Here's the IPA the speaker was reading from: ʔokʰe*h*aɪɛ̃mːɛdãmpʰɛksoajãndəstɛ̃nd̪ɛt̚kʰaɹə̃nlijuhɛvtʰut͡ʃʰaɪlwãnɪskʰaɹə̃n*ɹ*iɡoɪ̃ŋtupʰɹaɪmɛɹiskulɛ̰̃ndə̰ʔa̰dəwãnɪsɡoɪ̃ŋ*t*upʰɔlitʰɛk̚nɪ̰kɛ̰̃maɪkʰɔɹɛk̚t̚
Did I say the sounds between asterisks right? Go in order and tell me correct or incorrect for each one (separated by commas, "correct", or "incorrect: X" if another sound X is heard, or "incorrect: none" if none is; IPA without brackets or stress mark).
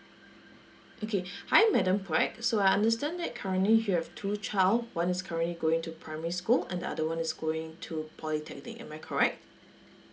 correct, incorrect: l, incorrect: tʰ